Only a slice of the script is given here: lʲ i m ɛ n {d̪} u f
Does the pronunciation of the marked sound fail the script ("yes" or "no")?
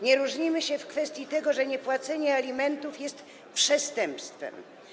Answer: yes